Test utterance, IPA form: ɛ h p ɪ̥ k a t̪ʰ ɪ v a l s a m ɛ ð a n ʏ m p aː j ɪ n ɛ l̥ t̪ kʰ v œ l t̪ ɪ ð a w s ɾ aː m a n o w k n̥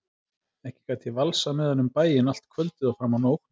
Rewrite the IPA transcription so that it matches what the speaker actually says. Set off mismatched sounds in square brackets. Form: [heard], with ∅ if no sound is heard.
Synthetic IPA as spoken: ɛ h [c] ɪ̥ k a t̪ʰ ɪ v a l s a m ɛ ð a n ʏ m p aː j ɪ n [a] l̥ t̪ kʰ v œ l t̪ ɪ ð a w [f] ɾ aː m a n o w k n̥

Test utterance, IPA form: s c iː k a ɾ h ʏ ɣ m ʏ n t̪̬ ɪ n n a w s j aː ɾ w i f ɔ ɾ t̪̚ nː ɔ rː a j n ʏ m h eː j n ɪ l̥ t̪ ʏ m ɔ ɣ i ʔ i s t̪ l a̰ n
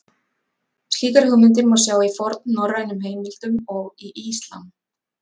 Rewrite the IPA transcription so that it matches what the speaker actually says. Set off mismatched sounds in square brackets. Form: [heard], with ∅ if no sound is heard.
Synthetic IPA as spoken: s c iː k a ɾ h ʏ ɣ m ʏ n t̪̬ ɪ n [m] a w s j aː [∅] w i f ɔ ɾ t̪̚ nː ɔ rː a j n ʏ m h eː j [m] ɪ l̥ t̪ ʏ m ɔ ɣ i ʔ i s t̪ l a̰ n

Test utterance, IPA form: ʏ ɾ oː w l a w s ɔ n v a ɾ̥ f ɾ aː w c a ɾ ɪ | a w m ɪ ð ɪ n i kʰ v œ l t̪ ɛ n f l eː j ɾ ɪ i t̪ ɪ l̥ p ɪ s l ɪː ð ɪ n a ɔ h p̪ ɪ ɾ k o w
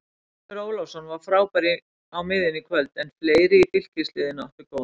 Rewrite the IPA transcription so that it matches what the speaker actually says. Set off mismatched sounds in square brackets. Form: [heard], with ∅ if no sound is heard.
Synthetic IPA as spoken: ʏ ɾ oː w l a w s ɔ n v a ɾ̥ f ɾ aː w [p] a ɾ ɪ | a w m ɪ ð ɪ n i kʰ v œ l t̪ ɛ n f l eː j ɾ ɪ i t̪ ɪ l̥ [c] ɪ s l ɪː ð ɪ n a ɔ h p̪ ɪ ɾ k o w

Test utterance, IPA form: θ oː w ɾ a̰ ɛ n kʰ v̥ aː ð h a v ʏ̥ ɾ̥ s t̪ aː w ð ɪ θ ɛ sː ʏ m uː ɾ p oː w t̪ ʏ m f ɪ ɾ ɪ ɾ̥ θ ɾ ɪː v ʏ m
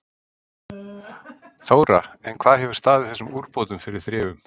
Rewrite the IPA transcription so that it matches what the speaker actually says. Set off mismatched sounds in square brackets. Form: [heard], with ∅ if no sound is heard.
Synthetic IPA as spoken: θ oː w ɾ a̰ ɛ n kʰ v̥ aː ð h [ɛ] v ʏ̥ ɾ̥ s t̪ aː [∅] ð ɪ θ ɛ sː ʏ m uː ɾ p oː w t̪ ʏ m f ɪ ɾ ɪ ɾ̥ θ ɾ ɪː v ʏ m

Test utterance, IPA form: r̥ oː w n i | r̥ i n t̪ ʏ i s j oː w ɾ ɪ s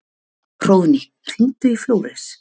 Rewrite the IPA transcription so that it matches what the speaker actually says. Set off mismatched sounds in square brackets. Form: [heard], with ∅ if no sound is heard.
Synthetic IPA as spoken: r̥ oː w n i | r̥ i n t̪ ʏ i [f] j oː w ɾ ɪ s

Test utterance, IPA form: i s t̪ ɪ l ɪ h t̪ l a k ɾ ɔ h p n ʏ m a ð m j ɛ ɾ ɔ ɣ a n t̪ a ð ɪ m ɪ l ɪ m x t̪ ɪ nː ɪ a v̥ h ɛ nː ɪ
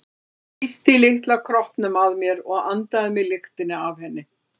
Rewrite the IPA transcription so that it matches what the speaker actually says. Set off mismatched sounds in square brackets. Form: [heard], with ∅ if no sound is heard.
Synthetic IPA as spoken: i s t̪ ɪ l ɪ h t̪ l a [kʰ] ɾ ɔ h p n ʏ m a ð m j ɛ ɾ ɔ ɣ a n t̪ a ð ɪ m ɪ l ɪ [∅] x t̪ ɪ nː ɪ a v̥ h ɛ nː ɪ

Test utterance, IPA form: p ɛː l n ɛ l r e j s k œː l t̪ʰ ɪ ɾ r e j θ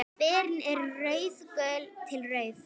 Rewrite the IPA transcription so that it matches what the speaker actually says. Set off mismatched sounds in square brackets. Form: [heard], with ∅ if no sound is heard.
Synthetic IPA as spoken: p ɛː [ɾ] n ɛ [ɾ] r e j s k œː l t̪ʰ ɪ [l] r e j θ

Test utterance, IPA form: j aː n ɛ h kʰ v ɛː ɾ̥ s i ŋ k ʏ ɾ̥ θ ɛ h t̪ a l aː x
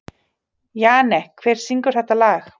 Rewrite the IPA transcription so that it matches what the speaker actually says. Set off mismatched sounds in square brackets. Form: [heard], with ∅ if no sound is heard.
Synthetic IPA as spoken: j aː n ɛ h kʰ v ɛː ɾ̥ s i ŋ k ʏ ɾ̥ θ ɛ h t̪ a l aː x

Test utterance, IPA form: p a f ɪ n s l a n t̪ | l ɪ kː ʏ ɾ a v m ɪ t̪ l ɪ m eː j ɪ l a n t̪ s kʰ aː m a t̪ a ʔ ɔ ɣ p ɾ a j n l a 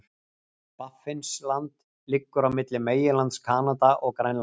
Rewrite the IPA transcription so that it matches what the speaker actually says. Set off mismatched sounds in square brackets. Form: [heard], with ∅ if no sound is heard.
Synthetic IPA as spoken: p a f ɪ n s l a n t̪ | l ɪ kː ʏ ɾ a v m ɪ t̪ l ɪ m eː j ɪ l a n t̪ s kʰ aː [n] a t̪ a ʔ ɔ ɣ [k] ɾ a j n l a

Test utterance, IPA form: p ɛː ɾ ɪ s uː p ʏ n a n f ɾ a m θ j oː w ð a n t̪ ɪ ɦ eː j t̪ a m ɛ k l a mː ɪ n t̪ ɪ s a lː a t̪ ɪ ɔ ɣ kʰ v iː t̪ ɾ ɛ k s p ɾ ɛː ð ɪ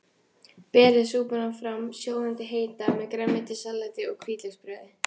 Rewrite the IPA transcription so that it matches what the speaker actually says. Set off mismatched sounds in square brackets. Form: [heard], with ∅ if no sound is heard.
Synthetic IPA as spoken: p ɛː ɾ ɪ s uː p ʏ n a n f ɾ a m [s] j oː w ð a n t̪ ɪ ɦ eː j t̪ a m ɛ k [ɾ] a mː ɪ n t̪ ɪ s a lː a t̪ ɪ ɔ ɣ kʰ v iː t̪ [l] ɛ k s p ɾ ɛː ð ɪ

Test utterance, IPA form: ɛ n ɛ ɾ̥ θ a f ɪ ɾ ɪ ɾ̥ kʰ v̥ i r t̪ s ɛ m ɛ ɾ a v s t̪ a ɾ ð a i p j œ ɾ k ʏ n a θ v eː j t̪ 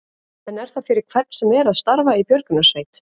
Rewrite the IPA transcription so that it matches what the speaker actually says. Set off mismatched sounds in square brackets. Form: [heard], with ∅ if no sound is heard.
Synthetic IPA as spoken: ɛ n ɛ ɾ̥ θ a f ɪ ɾ ɪ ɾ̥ kʰ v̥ [ɛ] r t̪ s ɛ m ɛ ɾ a [ð] s t̪ a ɾ [v] a i p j œ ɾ k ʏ n a [s] v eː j t̪

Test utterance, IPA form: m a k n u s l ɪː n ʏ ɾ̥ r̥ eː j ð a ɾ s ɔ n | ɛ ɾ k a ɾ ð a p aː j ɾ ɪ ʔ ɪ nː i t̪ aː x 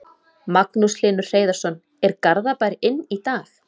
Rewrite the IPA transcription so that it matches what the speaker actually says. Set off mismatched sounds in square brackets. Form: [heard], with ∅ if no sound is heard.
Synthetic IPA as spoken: m a k n u s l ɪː n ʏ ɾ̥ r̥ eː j ð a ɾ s ɔ n | ɛ ɾ k a ɾ ð a p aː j ɾ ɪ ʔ ɪ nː i t̪ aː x

